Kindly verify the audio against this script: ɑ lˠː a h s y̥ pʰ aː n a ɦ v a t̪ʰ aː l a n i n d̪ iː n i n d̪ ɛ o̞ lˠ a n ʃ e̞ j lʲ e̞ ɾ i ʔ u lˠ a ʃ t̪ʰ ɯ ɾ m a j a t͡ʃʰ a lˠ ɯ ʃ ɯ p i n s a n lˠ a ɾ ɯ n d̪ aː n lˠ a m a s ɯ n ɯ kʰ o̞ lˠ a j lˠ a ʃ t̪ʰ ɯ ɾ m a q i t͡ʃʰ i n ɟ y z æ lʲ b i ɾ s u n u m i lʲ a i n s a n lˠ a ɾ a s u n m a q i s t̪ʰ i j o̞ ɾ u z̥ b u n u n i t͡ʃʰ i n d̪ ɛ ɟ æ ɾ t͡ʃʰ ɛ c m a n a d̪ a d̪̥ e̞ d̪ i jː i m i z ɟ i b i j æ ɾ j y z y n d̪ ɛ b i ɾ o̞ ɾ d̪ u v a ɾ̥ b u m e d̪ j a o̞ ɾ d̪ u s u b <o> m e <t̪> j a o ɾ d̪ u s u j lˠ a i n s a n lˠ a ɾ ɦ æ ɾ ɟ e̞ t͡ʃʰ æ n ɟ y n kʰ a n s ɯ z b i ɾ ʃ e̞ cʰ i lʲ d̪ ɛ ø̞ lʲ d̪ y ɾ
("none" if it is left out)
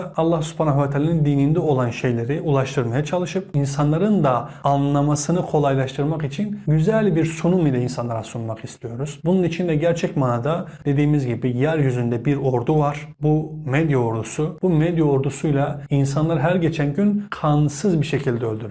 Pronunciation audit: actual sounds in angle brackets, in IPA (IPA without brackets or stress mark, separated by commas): u, d̪